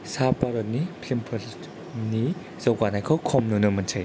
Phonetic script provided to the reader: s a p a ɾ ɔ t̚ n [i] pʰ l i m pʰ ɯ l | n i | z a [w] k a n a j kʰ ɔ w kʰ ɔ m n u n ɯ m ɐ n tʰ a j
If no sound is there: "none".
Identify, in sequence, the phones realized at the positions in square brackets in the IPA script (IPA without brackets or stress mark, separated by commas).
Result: i, w